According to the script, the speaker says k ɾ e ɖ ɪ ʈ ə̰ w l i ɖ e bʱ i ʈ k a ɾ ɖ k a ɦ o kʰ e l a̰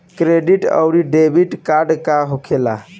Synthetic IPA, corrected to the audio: k ɾ e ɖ i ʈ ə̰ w ɾ i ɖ e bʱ i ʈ k a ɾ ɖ k a ɦ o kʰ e l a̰